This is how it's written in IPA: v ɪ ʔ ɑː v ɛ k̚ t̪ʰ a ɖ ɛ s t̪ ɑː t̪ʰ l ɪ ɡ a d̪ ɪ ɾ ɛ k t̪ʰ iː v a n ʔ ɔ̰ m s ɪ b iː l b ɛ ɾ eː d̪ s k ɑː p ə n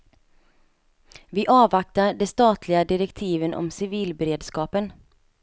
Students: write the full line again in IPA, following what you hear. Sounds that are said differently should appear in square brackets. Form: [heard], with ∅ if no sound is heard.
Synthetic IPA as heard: v ɪ ʔ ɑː v [a] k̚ [t̪] a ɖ ɛ s t̪ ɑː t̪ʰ l ɪ ɡ a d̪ ɪ ɾ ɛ k t̪ʰ iː v [ə] n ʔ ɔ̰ m s ɪ [v] iː l b ɛ ɾ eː d̪ s k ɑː p ə n